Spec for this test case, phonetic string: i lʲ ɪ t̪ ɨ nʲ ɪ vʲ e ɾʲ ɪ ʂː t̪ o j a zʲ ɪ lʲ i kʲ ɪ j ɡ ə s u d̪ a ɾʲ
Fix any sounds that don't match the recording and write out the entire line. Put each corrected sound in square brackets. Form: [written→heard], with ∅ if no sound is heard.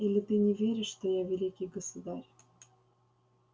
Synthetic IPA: i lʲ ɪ t̪ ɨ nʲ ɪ vʲ e ɾʲ ɪ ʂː t̪ o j a [zʲ→vʲ] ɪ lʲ i kʲ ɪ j ɡ ə s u d̪ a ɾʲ